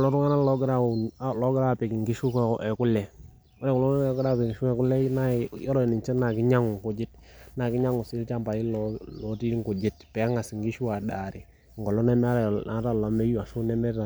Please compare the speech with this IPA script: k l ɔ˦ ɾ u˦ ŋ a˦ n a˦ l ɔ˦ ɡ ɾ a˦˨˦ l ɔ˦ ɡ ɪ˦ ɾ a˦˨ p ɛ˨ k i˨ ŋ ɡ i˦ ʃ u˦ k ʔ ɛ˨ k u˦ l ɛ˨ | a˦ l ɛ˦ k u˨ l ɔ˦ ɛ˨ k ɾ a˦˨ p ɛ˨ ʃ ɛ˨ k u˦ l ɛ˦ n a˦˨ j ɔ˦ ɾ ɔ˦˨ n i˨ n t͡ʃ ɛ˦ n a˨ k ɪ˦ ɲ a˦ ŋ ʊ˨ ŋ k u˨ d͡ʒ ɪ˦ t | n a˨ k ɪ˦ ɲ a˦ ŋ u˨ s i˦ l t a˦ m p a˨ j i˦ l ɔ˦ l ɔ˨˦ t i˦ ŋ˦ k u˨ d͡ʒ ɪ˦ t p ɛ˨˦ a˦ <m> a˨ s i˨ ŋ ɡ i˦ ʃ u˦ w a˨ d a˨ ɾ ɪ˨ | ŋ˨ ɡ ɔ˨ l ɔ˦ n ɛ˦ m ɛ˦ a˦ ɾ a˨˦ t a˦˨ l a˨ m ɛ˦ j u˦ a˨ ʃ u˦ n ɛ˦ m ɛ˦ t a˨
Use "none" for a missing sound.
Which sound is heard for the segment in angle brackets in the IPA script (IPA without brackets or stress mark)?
ŋ